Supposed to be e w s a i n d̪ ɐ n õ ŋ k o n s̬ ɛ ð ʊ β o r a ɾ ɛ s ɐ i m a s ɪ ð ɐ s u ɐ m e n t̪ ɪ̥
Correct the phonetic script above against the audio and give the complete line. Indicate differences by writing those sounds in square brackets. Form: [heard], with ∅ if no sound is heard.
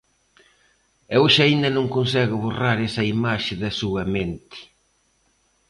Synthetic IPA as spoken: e w [ʃ] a i n d̪ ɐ n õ ŋ k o n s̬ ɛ [ɣ] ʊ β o r a ɾ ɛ s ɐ i m a [ʃ] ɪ ð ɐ s u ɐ m e n t̪ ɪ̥

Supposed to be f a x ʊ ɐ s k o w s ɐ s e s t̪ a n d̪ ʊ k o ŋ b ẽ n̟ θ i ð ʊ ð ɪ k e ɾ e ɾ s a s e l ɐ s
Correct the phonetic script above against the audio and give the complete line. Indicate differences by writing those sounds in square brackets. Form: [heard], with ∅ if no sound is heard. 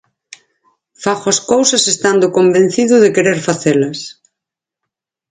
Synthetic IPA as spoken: f a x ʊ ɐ s k o w s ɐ s e s t̪ a n d̪ ʊ k o [m] b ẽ n̟ θ i ð ʊ ð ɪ k e ɾ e ɾ [f] a [θ] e l ɐ s

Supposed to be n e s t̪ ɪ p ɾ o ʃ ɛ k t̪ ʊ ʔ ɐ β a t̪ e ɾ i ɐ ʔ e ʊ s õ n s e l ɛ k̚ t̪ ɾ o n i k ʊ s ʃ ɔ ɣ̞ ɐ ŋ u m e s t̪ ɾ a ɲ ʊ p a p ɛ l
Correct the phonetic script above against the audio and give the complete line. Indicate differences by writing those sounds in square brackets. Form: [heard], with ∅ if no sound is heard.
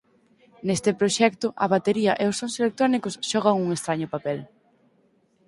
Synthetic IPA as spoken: n e s t̪ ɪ p ɾ o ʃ ɛ k t̪ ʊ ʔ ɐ β a t̪ e ɾ i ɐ ʔ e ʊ s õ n s e l [e] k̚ t̪ ɾ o n i k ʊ s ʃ ɔ ɣ̞ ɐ ŋ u [ŋ] e s t̪ ɾ a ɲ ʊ p a p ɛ l

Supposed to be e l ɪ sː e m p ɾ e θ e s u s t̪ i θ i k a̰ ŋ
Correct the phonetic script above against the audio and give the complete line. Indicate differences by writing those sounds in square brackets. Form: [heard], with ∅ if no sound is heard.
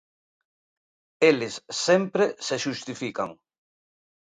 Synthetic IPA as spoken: e l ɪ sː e m p ɾ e [s] e [ʃ] u s t̪ i [f] i k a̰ ŋ

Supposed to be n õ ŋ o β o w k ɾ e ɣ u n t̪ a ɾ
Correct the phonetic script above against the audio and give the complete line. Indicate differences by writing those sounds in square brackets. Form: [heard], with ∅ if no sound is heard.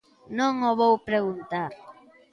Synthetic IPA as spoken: n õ ŋ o β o w [p] ɾ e ɣ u n t̪ a ɾ

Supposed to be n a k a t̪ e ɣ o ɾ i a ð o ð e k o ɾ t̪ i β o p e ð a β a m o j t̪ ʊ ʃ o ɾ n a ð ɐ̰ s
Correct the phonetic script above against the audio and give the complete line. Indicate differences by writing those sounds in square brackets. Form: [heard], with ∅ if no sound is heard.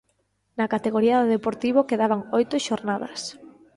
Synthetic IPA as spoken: n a k a t̪ e ɣ o ɾ i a ð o ð e [p] o ɾ t̪ i β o [k] e ð a β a [ŋ] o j t̪ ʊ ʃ o ɾ n a ð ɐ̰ s

